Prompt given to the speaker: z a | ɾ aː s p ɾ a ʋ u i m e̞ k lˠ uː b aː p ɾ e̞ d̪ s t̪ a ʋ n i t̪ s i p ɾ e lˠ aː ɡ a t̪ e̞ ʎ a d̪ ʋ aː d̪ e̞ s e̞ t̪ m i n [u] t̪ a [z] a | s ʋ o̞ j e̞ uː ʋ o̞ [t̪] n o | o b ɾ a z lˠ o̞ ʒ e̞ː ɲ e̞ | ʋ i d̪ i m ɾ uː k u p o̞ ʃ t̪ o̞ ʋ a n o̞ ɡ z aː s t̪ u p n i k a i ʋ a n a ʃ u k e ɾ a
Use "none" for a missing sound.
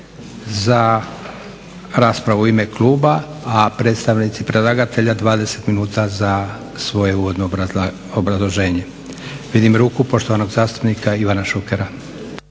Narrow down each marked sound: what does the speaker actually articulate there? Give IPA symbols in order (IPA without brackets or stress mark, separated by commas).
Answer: uː, z, d̪